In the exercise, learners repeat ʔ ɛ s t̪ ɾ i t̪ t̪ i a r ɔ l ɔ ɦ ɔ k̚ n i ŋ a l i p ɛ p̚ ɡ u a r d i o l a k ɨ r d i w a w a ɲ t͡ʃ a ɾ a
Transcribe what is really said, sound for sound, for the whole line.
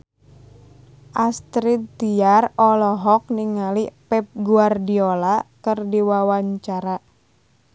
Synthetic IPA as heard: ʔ a s t̪ ɾ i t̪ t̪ i a r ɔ l ɔ ɦ ɔ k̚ n i ŋ a l i p ɛ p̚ ɡ u a r d i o l a k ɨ r d i w a w a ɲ t͡ʃ a ɾ a

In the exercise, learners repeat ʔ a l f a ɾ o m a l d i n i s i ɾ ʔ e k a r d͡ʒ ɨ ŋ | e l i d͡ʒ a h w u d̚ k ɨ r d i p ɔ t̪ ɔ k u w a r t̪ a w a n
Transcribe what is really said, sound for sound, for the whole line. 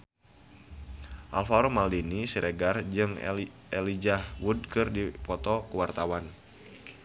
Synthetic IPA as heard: ʔ a l f a ɾ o m a l d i n i s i ɾ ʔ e ɡ a r d͡ʒ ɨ ŋ | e l i d͡ʒ a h w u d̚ k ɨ r d i p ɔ t̪ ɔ k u w a r t̪ a w a n

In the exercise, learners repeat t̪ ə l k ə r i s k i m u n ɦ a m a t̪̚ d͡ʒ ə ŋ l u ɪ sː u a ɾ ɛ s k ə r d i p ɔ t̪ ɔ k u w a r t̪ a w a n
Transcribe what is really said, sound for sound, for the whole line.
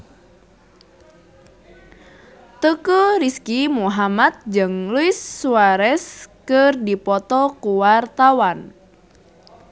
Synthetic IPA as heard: t̪ ə k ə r i s k i m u ɦ a m a t̪̚ d͡ʒ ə ŋ l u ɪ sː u a ɾ ɛ s k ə r d i p ɔ t̪ ɔ k u w a r t̪ a w a n

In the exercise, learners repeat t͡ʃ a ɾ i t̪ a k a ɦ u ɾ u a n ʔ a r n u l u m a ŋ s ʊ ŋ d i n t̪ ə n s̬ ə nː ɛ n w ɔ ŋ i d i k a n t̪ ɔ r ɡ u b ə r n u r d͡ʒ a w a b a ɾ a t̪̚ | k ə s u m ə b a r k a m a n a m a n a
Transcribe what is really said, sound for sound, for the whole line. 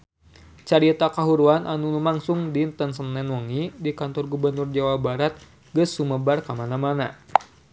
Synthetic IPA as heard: t͡ʃ a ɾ i t̪ a k a ɦ u ɾ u a n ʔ a n u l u m a ŋ s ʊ ŋ d i n t̪ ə n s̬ ə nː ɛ n w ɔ ŋ i d i k a n t̪ ɔ r ɡ u b ə r n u r d͡ʒ a w a b a ɾ a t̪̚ | ɡ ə s u m ə b a r k a m a n a m a n a

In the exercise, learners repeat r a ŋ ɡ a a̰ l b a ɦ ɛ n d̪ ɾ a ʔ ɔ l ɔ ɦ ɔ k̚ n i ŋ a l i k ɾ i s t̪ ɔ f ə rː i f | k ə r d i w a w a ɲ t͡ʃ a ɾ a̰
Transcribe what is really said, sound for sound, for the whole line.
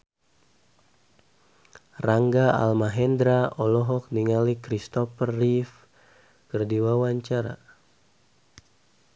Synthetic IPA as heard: r a ŋ ɡ a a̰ l m a ɦ ɛ n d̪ ɾ a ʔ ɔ l ɔ ɦ ɔ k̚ n i ŋ a l i k ɾ i s t̪ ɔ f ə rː i f | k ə r d i w a w a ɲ t͡ʃ a ɾ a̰

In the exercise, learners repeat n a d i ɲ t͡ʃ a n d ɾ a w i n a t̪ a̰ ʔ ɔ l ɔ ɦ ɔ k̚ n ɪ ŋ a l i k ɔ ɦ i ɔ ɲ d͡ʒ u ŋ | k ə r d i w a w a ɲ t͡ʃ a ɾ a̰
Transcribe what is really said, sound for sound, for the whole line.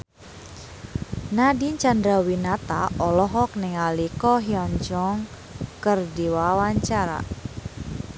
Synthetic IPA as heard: n a d i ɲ t͡ʃ a n d ɾ a w i n a t̪ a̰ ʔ ɔ l ɔ ɦ ɔ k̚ n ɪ ŋ a l i k ɔ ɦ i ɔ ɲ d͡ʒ ɔ ŋ | k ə r d i w a w a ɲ t͡ʃ a ɾ a̰

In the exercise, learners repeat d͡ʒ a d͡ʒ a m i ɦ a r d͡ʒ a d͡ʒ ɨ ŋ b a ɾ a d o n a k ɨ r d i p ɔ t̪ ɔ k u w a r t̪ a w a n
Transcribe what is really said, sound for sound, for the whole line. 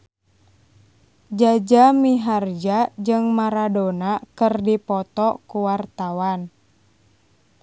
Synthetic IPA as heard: d͡ʒ a d͡ʒ a m i ɦ a r d͡ʒ a d͡ʒ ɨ ŋ m a ɾ a d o n a k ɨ r d i p ɔ t̪ ɔ k u w a r t̪ a w a n

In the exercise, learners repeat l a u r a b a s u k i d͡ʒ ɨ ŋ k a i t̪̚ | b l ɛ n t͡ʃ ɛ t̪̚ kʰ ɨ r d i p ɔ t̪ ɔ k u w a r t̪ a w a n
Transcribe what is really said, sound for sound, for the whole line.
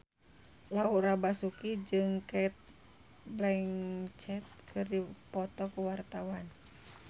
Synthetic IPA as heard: l a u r a b a s u k i d͡ʒ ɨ ŋ k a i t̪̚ | b l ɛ ŋ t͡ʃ ɛ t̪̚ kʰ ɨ r d i p ɔ t̪ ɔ k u w a r t̪ a w a n

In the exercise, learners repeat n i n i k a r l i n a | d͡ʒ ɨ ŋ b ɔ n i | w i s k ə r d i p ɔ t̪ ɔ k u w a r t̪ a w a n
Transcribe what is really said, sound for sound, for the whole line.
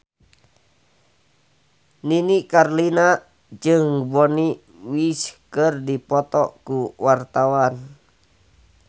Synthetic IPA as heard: n i n i k a r l i n a | d͡ʒ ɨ ŋ b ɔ n i | w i s k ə r d i p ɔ t̪ ɔ k u w a r t̪ a w a n

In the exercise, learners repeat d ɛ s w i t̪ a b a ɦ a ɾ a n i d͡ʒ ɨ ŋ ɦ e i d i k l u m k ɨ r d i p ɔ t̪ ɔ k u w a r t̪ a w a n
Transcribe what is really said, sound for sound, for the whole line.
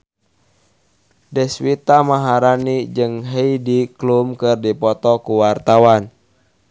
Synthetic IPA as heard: d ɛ s w i t̪ a m a ɦ a ɾ a n i d͡ʒ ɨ ŋ ɦ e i d i k l u m k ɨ r d i p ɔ t̪ ɔ k u w a r t̪ a w a n

